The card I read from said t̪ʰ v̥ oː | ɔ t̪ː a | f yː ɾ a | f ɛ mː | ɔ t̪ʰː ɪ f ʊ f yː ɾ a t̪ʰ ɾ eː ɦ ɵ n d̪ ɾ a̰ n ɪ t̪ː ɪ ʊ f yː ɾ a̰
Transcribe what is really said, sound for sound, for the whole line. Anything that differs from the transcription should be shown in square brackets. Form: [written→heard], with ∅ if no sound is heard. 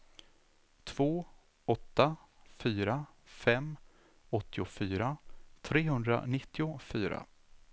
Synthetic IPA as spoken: t̪ʰ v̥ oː | ɔ t̪ː a | f yː ɾ a | f ɛ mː | ɔ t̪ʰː ɪ [f→∅] ʊ f yː ɾ a t̪ʰ ɾ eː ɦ ɵ n d̪ ɾ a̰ n ɪ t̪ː ɪ ʊ f yː ɾ a̰